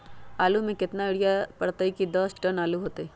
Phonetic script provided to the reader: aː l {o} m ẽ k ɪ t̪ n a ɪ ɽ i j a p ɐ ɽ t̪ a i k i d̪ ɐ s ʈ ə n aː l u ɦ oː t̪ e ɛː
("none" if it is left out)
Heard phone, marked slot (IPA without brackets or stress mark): u